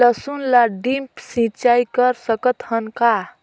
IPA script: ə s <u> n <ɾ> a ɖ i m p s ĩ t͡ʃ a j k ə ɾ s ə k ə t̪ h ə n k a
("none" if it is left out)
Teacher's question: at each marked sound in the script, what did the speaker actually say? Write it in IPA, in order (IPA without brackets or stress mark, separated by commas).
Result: u, l